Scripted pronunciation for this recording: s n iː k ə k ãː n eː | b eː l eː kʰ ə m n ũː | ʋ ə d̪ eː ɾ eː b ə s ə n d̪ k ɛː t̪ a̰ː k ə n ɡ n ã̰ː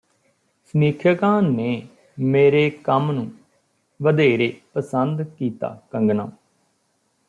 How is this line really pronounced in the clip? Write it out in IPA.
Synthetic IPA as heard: s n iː kʰ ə k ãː n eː | m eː ɾ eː k ə m n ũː | ʋ ə d̪ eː ɾ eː p ə s ə n d̪ k iː t̪ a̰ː k ə ŋ ɡ n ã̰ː